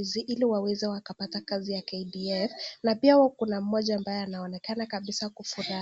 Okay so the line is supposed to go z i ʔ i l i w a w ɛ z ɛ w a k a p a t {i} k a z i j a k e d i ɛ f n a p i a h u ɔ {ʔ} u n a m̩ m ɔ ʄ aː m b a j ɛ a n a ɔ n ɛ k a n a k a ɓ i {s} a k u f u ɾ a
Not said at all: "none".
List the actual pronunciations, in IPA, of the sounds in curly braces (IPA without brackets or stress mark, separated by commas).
a, k, s